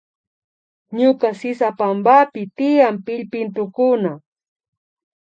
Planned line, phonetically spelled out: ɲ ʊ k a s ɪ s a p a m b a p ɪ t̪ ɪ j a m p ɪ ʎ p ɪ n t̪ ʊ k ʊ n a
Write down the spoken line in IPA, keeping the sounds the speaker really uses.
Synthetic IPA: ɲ ʊ k a s ɪ s a p a m b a p ɪ t̪ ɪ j a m p ɪ ʎ p ɪ n t̪ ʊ k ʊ n a

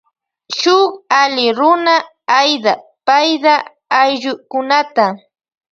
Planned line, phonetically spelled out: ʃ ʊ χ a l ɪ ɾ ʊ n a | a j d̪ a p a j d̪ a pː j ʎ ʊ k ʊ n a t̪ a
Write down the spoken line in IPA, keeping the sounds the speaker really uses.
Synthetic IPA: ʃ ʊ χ a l ɪ ɾ ʊ n a | a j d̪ a p a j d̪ a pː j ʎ ʊ k ʊ n a t̪ a

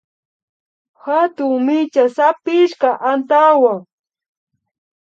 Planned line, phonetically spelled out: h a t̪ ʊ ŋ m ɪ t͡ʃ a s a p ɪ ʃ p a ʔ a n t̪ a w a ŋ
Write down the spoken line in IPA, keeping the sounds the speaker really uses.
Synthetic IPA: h a t̪ ʊ ŋ m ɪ t͡ʃ a s a p ɪ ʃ k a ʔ a n t̪ a w a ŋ

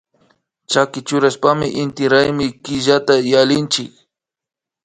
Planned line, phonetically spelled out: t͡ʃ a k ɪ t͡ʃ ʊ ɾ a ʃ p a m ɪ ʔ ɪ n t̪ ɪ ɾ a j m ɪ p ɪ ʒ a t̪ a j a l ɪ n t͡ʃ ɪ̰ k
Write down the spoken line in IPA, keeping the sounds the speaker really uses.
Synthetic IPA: t͡ʃ a k ɪ t͡ʃ ʊ ɾ a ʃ p a m ɪ ʔ ɪ n t̪ ɪ ɾ a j m ɪ k ɪ ʒ a t̪ a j a l ɪ n t͡ʃ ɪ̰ k

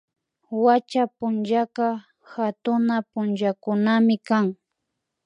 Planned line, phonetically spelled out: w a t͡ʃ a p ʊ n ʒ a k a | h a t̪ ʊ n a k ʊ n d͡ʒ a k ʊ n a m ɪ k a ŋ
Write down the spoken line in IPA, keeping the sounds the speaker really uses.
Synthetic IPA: w a t͡ʃ a p ʊ n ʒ a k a | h a t̪ ʊ n a p ʊ n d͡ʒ a k ʊ n a m ɪ k a ŋ

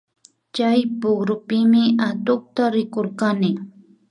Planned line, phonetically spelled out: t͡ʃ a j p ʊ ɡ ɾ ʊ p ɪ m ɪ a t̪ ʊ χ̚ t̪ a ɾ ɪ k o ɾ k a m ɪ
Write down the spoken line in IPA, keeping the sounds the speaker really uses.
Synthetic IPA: t͡ʃ a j p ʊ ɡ ɾ ʊ p ɪ m ɪ a t̪ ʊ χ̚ t̪ a ɾ ɪ k o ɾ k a n ɪ

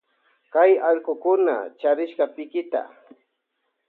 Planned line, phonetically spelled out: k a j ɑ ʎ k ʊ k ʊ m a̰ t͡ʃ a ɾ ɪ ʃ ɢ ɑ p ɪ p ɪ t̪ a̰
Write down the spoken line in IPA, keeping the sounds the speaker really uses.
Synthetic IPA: k a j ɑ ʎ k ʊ k ʊ n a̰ t͡ʃ a ɾ ɪ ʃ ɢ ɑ p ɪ k ɪ t̪ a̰

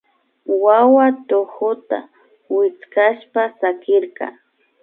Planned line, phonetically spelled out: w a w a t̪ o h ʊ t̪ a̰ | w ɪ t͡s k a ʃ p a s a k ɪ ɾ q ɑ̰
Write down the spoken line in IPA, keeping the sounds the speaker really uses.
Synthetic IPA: w a w a t̪ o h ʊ t̪ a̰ | w ɪ t͡s k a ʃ p a s a k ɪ ɾ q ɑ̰

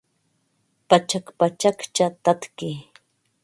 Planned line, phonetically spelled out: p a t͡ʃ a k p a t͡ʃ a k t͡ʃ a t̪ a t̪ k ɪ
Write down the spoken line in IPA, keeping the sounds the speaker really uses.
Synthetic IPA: p a t͡ʃ a k p a t͡ʃ a k t͡ʃ a t̪ a t̪ k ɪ

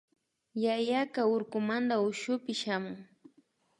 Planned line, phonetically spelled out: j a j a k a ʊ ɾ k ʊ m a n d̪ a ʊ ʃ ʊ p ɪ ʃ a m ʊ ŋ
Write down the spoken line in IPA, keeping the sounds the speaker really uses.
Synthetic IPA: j a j a k a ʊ ɾ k ʊ m a n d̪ a ʊ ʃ ʊ p ɪ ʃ a m ʊ ŋ

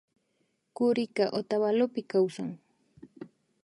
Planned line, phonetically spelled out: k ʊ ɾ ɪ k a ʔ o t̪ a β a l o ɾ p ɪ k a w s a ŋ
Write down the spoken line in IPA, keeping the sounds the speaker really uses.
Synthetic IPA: k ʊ ɾ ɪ k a ʔ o t̪ a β a l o p ɪ k a w s a ŋ

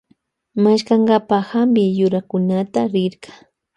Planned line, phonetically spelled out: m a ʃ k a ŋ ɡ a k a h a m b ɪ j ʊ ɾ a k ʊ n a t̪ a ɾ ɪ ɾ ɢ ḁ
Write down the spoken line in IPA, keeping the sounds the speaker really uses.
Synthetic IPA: m a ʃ k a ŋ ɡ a p a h a m b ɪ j ʊ ɾ a k ʊ n a t̪ a ɾ ɪ ɾ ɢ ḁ

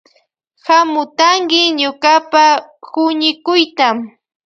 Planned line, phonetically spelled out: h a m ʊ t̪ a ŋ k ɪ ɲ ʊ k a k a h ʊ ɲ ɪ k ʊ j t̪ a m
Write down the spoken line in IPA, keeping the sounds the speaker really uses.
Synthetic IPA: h a m ʊ t̪ a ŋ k ɪ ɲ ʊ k a p a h ʊ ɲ ɪ k ʊ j t̪ a m

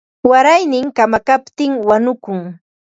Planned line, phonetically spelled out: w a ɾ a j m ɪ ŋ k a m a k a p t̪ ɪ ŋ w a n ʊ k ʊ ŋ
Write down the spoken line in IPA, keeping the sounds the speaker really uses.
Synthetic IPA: w a ɾ a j n ɪ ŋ k a m a k a p t̪ ɪ ŋ w a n ʊ k ʊ ŋ

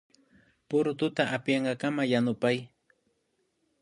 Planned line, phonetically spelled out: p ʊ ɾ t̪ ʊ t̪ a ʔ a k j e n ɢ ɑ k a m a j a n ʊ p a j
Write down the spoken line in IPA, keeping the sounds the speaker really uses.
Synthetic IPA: p ʊ ɾ t̪ ʊ t̪ a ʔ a p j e ɴ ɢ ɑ k a m a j a n ʊ p a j

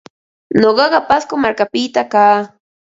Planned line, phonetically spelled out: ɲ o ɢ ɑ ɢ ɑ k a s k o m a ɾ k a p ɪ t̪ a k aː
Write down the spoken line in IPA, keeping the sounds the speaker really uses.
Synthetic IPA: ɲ o ɢ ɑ ɢ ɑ p a s k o m a ɾ k a p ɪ t̪ a k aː

